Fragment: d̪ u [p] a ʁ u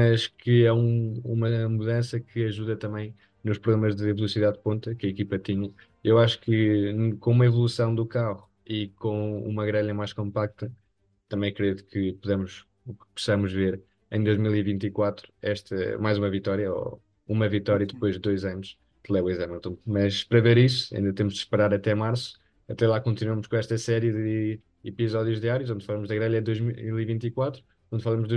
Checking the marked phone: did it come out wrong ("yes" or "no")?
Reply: yes